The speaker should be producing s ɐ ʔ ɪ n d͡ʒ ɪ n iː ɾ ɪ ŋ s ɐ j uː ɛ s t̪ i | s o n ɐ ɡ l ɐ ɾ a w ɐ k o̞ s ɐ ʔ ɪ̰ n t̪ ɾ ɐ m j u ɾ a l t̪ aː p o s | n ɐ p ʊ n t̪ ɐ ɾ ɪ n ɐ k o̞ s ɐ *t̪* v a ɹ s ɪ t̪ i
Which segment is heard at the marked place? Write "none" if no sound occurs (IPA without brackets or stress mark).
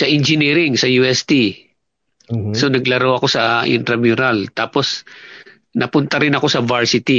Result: none